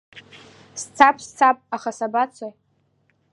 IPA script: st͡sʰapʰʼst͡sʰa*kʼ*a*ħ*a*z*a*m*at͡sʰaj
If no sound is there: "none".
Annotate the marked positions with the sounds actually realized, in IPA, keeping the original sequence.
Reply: pʼ, χ, s, b

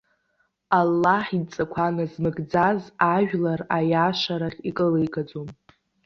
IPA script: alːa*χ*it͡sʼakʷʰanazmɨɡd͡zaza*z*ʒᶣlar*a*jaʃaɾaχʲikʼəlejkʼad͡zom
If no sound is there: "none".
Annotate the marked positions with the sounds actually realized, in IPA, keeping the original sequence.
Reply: ħ, none, a

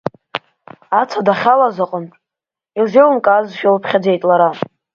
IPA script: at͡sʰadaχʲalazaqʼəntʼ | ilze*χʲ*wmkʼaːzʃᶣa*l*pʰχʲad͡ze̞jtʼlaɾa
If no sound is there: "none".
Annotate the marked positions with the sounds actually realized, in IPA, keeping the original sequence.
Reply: none, l

